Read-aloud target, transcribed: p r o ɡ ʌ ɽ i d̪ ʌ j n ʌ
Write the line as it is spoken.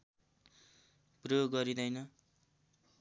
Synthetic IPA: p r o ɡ ʌ ɾ i d̪ ʌ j n ʌ